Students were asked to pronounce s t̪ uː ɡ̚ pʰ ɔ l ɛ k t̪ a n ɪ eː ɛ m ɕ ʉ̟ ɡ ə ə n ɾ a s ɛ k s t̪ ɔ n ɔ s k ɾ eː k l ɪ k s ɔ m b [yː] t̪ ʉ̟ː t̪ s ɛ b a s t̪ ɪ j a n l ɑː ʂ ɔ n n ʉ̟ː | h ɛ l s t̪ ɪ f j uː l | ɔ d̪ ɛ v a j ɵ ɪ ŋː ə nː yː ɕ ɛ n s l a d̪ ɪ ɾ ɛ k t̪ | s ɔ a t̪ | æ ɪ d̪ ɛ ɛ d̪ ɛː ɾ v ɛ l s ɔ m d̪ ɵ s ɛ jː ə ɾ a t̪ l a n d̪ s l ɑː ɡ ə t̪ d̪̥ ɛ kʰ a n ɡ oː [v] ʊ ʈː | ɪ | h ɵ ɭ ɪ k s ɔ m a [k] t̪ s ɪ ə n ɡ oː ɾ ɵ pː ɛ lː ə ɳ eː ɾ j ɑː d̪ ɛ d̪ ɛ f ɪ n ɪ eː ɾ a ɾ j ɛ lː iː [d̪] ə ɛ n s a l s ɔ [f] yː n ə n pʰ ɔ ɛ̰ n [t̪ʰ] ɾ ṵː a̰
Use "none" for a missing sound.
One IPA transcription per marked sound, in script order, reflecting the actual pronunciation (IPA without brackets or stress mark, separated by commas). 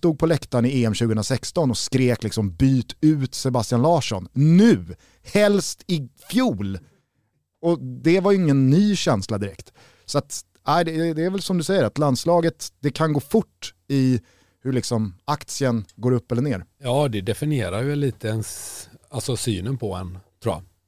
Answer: yː, f, k, t̪, s, t̪ʰ